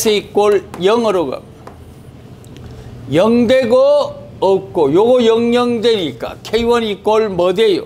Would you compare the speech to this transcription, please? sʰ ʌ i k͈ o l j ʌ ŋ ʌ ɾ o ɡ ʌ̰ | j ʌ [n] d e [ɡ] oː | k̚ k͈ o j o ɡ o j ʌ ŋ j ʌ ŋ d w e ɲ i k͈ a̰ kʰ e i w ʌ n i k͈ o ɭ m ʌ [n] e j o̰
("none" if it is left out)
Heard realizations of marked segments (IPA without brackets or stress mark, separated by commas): ŋ, ɡ, d